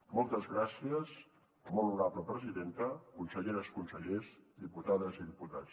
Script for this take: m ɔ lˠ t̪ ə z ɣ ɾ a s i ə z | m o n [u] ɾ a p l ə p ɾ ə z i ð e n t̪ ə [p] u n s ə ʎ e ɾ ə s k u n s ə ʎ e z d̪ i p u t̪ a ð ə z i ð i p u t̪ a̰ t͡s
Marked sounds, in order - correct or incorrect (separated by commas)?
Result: correct, incorrect